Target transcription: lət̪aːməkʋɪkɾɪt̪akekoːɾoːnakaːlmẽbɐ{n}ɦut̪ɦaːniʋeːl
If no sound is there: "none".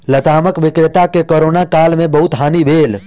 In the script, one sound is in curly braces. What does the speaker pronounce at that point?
none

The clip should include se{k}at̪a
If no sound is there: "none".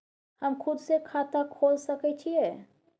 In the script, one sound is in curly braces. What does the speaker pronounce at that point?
kʰ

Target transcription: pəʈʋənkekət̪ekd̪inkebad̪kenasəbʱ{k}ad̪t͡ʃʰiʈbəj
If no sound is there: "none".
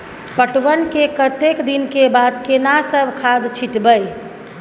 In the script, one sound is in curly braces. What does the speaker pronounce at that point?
kʰ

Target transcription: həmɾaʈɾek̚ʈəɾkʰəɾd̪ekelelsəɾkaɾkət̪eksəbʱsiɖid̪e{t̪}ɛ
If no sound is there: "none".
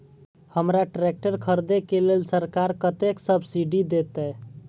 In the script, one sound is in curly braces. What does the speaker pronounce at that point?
t̪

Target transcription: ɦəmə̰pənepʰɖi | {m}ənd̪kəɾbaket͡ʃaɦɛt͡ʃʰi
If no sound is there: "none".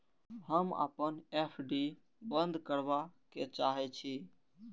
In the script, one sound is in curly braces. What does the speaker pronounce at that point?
b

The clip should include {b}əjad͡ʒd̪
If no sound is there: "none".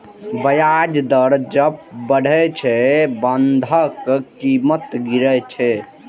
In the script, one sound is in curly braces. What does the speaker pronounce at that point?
b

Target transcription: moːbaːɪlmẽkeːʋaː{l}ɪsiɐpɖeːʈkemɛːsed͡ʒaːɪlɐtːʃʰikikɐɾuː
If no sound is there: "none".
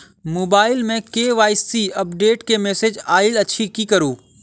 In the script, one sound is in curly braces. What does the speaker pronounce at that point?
none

